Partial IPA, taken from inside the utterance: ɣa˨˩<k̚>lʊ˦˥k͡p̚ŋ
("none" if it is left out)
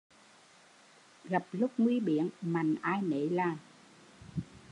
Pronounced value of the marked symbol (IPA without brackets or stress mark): p̚